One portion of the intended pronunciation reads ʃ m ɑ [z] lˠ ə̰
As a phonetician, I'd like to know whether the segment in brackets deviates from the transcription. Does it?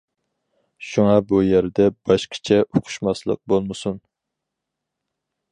yes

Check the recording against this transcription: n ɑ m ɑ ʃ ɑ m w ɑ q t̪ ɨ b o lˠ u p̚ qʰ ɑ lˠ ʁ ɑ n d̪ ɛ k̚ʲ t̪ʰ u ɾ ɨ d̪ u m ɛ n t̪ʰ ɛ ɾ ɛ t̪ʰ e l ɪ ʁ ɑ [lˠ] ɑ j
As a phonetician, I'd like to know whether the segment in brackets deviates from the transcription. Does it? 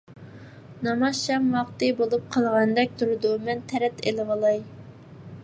no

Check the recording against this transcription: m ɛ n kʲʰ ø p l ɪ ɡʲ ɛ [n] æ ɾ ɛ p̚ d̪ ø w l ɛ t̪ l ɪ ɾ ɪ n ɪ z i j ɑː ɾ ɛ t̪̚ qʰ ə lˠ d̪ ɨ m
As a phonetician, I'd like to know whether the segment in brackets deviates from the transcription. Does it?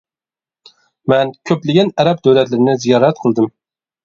no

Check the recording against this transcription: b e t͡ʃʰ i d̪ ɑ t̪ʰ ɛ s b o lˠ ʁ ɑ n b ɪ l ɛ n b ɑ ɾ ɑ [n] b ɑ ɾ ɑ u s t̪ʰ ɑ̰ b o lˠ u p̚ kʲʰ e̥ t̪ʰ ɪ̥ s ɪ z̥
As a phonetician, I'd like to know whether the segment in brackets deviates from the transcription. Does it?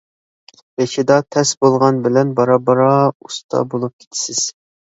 yes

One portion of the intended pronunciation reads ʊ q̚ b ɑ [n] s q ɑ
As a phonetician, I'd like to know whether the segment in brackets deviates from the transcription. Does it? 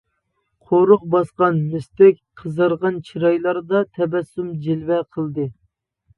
yes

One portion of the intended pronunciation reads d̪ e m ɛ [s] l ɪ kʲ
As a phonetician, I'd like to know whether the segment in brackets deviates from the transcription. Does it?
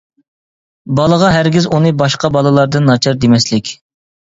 no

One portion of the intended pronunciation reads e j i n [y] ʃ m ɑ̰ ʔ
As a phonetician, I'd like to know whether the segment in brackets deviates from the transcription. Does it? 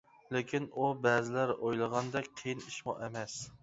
yes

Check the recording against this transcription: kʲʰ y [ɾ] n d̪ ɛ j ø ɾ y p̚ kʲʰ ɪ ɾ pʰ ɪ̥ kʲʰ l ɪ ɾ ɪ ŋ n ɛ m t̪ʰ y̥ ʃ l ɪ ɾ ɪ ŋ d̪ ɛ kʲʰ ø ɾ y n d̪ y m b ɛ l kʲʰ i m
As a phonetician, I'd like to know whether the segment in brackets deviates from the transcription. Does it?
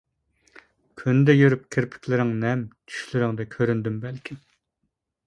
yes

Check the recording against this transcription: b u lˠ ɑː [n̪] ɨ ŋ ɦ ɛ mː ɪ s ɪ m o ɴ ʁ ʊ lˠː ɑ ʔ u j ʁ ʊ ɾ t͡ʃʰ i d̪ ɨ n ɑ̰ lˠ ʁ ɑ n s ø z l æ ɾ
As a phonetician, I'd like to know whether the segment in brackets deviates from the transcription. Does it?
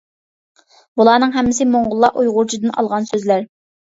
no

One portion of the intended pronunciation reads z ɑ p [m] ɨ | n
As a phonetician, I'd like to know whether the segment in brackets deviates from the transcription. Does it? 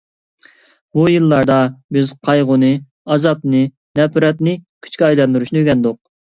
yes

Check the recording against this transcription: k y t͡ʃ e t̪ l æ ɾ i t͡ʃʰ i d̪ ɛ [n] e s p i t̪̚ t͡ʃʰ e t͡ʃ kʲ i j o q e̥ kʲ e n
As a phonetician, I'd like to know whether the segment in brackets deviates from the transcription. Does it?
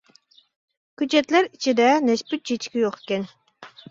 no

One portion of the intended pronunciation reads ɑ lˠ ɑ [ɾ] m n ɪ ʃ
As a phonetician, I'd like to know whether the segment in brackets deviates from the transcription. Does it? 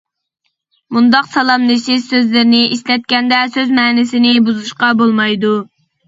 yes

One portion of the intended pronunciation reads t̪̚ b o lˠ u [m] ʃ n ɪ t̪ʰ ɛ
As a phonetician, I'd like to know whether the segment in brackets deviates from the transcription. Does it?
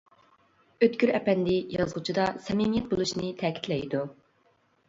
yes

